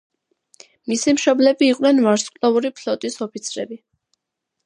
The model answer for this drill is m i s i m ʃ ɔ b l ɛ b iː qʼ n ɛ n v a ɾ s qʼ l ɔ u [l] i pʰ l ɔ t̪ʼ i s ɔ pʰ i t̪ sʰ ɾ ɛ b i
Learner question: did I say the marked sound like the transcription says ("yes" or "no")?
no